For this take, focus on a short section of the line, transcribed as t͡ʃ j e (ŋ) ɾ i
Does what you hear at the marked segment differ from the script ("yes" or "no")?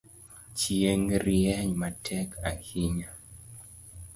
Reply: no